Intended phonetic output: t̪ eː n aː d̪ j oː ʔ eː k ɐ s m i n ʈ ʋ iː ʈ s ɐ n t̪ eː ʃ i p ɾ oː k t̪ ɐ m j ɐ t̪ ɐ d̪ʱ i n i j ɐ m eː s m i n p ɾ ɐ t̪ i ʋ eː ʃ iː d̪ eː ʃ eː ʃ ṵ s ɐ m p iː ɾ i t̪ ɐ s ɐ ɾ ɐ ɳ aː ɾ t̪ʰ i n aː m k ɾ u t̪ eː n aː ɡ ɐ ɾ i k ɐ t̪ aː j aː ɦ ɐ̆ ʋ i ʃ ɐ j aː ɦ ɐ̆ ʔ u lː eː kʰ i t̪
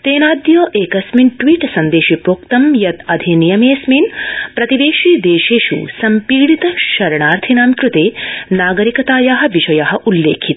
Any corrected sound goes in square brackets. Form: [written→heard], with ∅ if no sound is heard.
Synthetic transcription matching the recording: t̪ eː n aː d̪ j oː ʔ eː k ɐ s m i n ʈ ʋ iː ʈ s ɐ n [t̪→d̪] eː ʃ i p ɾ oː k t̪ ɐ m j ɐ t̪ ɐ d̪ʱ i n i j ɐ m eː s m i n p ɾ ɐ t̪ i ʋ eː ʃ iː d̪ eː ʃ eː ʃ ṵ s ɐ m p iː [ɾ→ɽ] i t̪ ɐ [s→ʃ] ɐ ɾ ɐ ɳ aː ɾ t̪ʰ i n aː m k ɾ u t̪ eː n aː ɡ ɐ ɾ i k ɐ t̪ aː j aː ɦ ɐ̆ ʋ i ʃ ɐ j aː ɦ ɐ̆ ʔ u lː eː kʰ i t̪